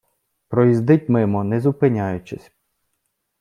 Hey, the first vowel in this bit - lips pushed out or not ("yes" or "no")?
yes